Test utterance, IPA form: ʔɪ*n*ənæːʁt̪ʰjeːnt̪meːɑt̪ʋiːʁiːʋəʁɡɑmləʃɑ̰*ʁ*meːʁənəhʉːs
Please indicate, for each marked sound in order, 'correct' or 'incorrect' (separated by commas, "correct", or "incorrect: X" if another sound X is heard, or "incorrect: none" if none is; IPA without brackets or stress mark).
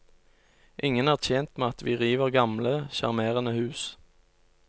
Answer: incorrect: ŋ, correct